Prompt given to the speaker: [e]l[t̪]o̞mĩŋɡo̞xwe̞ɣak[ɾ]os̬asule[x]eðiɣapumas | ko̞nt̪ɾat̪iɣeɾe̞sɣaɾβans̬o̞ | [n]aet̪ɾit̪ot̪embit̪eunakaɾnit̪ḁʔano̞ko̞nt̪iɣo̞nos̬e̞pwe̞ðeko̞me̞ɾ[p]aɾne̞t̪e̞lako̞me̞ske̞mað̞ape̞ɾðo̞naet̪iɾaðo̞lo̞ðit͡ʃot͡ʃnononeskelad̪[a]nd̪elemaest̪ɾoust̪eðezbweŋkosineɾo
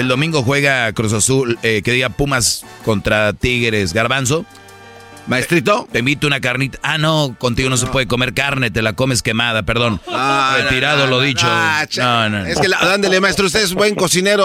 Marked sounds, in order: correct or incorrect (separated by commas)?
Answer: correct, incorrect, correct, incorrect, incorrect, incorrect, correct